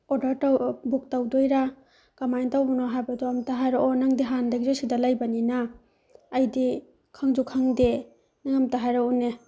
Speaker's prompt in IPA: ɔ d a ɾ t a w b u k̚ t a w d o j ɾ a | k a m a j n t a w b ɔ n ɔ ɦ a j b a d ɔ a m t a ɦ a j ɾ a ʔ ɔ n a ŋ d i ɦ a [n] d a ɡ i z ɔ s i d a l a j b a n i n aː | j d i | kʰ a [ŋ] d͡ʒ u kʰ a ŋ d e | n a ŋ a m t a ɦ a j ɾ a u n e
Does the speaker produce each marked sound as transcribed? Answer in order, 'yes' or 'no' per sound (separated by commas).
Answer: yes, yes